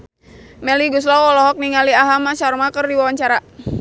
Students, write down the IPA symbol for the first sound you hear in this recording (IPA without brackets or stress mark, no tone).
m